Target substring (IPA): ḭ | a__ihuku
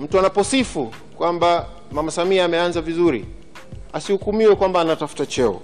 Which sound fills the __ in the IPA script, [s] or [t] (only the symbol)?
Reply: s